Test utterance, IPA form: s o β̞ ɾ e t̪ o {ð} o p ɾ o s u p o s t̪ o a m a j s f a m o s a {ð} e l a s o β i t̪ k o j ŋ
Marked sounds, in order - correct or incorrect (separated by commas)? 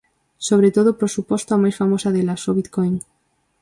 correct, correct